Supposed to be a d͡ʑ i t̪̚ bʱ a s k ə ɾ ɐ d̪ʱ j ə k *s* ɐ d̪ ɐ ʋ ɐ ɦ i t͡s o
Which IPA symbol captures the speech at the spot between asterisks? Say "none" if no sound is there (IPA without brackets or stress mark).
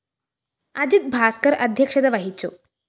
ʂ